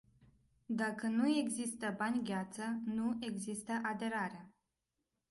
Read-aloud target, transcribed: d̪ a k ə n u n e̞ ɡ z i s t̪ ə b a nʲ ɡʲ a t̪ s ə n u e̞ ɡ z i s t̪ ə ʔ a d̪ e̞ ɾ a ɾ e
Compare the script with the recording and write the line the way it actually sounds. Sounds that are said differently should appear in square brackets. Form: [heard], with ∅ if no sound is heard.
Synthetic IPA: d̪ a k ə n u [∅] e̞ ɡ z i s t̪ ə b a nʲ ɡʲ a t̪ s ə n u e̞ ɡ z i s t̪ ə ʔ a d̪ e̞ ɾ a ɾ e